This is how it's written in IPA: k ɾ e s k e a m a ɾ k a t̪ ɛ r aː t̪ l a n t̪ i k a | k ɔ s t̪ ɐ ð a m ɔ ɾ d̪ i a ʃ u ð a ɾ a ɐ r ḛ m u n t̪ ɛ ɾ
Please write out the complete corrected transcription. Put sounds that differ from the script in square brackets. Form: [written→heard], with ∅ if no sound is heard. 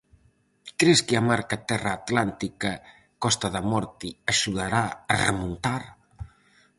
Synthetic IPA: k ɾ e s k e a m a ɾ k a t̪ ɛ r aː t̪ l a n t̪ i k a | k ɔ s t̪ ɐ ð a m ɔ ɾ [d̪→t̪] i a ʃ u ð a ɾ a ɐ r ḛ m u n t̪ [ɛ→a] ɾ